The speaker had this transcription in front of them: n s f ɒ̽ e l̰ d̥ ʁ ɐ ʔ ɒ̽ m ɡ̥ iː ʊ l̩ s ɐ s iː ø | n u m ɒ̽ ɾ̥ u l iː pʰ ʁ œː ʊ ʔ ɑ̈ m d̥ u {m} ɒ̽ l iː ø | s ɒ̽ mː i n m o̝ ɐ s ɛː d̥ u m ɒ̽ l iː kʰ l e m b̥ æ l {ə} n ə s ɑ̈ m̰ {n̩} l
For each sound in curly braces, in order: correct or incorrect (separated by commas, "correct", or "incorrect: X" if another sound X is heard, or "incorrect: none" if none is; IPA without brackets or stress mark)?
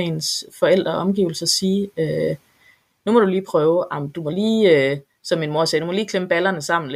correct, incorrect: ɐ, correct